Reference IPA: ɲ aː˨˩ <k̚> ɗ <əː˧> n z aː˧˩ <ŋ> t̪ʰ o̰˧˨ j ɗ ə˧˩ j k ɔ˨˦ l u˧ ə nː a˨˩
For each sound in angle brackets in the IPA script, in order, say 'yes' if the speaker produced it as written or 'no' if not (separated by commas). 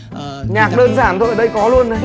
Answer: yes, yes, no